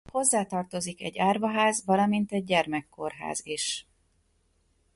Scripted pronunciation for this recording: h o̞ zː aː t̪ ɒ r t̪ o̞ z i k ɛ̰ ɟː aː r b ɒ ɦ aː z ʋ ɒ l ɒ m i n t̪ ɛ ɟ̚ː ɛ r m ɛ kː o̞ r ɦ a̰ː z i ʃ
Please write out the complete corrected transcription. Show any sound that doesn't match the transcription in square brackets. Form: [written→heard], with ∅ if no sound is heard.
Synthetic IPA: h o̞ zː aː t̪ ɒ r t̪ o̞ z i k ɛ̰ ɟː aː r [b→v] ɒ ɦ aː z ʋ ɒ l ɒ m i n t̪ ɛ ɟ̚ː ɛ r m ɛ kː o̞ r ɦ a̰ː z i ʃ